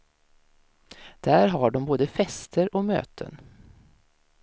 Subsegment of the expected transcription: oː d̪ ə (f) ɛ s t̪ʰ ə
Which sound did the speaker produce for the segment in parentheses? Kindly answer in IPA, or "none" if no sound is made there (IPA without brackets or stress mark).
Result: f